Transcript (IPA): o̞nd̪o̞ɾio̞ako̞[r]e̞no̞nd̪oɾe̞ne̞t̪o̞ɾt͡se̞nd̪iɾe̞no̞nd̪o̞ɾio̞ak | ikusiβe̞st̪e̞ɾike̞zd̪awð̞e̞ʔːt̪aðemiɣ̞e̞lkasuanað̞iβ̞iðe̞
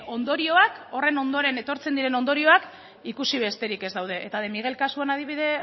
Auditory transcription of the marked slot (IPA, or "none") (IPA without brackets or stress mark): r